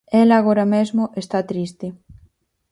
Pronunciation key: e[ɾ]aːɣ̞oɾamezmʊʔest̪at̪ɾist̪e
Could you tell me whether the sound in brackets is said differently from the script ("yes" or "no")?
yes